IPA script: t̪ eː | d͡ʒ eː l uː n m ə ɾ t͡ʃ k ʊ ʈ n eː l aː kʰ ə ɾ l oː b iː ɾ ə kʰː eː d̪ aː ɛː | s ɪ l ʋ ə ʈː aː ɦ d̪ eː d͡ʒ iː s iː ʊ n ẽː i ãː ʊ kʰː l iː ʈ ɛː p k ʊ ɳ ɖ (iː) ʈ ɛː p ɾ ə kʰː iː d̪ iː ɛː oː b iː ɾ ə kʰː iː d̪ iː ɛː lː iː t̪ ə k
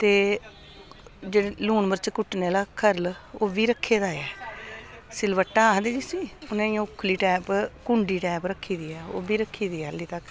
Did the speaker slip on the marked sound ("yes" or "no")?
no